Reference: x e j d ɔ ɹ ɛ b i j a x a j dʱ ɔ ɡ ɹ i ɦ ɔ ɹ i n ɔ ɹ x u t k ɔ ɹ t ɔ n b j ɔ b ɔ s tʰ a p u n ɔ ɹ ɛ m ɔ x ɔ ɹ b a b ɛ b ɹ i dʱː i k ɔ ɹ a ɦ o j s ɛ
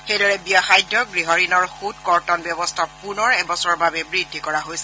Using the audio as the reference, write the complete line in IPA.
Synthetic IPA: x e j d ɔ ɹ ɛ b i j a x a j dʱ ɔ ɡ ɹ i ɦ ɔ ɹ i n ɔ ɹ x u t k ɔ ɹ t ɔ n b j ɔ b ɔ s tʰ a p u n ɔ ɹ ɛ b ɔ s ɔ ɹ b a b ɛ b ɹ i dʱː i k ɔ ɹ a ɦ o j s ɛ